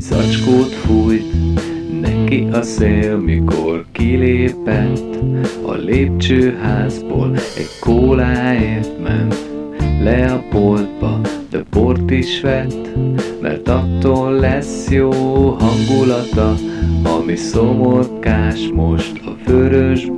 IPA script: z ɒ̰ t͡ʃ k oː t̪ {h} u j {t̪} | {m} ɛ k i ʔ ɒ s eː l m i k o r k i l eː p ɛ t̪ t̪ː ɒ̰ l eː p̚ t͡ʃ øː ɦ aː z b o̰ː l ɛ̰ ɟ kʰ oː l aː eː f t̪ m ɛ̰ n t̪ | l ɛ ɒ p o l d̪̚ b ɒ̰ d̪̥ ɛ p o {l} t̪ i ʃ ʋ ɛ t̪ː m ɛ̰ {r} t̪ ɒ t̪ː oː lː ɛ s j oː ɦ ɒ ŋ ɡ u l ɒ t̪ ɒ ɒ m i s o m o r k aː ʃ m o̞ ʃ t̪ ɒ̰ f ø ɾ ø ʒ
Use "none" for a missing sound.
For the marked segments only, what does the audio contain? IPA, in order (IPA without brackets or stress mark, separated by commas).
f, t̪, n, r, r